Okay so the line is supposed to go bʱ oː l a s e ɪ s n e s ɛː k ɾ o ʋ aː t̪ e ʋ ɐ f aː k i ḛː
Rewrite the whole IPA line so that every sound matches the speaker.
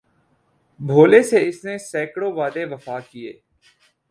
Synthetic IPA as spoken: bʱ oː l e s e ɪ s n e s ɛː k ɽ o ʋ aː d̪ e ʋ ɐ f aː k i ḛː